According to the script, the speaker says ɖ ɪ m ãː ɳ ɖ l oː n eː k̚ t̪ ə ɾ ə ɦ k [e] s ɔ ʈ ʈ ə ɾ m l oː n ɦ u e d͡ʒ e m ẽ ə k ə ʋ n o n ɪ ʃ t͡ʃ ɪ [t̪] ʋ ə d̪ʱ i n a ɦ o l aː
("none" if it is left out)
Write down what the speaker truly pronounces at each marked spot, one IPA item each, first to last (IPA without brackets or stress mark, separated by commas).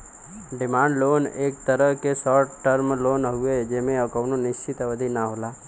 e, t̪